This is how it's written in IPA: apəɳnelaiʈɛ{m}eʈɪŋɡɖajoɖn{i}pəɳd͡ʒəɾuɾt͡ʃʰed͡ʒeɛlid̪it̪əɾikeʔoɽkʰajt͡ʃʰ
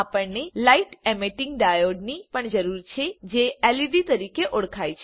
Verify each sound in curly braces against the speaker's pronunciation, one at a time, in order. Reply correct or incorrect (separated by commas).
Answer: correct, correct